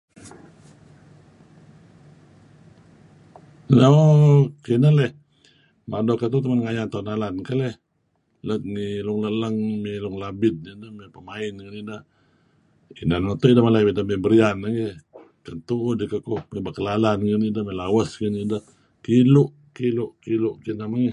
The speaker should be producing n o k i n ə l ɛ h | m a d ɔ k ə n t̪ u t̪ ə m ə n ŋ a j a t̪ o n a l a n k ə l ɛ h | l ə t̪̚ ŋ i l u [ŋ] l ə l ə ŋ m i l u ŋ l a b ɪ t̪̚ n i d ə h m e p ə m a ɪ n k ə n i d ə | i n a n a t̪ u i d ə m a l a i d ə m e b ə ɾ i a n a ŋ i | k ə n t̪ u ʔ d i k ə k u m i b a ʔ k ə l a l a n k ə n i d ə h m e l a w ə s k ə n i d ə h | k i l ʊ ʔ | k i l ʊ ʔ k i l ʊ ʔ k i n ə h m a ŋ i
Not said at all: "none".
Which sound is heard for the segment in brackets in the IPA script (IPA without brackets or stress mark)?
ŋ